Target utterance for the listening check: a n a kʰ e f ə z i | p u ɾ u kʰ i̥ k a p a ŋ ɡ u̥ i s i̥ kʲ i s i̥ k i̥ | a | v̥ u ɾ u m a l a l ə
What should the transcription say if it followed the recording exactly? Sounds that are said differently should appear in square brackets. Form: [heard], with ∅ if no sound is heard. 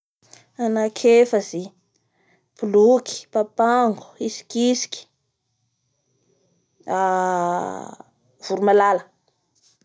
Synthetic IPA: a n a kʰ e f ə z i | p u [l] u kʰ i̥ [p] a p a ŋ ɡ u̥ i s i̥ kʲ i s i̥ k i̥ | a | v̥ u ɾ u m a l a l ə